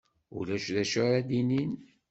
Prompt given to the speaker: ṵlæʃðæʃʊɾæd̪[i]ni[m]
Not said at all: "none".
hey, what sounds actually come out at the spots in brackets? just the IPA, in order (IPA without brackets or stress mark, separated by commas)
i, n